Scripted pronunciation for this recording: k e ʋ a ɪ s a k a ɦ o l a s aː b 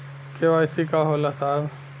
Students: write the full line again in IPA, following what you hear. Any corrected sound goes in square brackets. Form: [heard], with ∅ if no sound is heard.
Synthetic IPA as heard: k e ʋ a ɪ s [i] k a ɦ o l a s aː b